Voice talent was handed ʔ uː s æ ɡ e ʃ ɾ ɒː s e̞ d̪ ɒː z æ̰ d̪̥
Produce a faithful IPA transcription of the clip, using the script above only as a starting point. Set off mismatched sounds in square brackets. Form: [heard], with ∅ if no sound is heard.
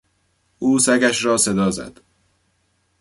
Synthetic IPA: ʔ uː s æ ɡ [æ] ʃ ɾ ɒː s e̞ d̪ ɒː z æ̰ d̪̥